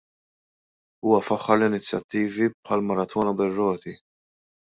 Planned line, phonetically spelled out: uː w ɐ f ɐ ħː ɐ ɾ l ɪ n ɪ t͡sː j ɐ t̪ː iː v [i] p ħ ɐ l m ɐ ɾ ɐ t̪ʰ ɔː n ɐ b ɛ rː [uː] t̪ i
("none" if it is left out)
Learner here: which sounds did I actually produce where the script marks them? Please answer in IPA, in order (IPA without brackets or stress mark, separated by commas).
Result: i, ɔː